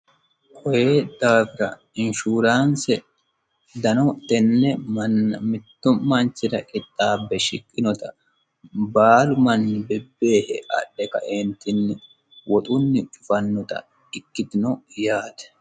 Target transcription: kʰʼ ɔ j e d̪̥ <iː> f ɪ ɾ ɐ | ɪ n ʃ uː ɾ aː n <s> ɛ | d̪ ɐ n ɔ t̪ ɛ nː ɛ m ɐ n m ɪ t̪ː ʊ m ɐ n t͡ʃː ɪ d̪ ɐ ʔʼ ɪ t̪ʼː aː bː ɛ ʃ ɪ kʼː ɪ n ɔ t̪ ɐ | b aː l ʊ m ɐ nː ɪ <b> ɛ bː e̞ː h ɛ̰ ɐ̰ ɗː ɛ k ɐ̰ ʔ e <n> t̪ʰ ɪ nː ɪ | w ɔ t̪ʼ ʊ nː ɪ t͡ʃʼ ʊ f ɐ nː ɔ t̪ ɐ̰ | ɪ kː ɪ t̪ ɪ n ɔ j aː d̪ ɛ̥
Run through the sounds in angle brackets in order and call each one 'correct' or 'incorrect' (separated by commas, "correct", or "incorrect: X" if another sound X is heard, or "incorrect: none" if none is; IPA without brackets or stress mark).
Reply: incorrect: aː, correct, correct, correct